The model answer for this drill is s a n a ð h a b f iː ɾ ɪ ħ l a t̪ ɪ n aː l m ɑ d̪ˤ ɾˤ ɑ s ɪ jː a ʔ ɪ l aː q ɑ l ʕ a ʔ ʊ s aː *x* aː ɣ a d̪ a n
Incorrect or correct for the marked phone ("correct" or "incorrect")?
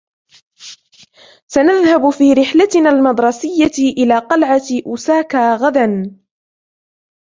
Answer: incorrect